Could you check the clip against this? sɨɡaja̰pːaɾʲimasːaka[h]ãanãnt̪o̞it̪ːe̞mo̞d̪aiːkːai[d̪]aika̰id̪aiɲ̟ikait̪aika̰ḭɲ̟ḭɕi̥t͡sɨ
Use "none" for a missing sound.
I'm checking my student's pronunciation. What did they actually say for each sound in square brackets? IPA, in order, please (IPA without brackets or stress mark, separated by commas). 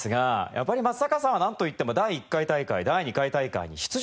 s, t̪